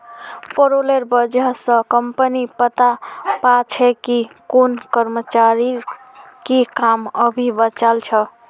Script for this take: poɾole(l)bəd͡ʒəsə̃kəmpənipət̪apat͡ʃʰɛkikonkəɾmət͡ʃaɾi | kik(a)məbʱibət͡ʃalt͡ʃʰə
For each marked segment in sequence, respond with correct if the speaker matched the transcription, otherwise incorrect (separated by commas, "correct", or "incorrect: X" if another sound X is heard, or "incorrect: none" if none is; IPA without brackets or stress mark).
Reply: incorrect: ɾ, correct